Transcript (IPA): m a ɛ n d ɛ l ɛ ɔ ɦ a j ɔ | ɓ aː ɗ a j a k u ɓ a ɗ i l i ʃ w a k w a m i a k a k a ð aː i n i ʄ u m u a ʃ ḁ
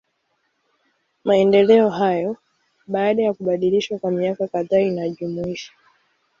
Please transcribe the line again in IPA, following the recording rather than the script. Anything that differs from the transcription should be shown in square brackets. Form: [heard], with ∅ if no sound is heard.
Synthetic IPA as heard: m a ɛ n d ɛ l ɛ ɔ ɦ a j ɔ | ɓ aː ɗ a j a k u ɓ a ɗ i l i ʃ w a k w a m i a k a k a ð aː i n [a] ʄ u m u [i] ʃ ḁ